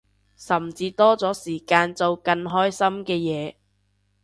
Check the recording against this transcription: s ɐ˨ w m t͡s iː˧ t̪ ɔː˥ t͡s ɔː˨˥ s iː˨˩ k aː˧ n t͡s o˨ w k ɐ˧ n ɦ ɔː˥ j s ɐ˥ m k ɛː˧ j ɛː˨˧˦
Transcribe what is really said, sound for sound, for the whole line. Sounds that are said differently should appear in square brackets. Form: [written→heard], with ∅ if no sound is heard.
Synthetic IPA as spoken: s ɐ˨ [w→∅] m t͡s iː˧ t̪ ɔː˥ t͡s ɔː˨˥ s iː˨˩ k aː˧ n t͡s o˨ w k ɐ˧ n ɦ ɔː˥ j s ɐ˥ m k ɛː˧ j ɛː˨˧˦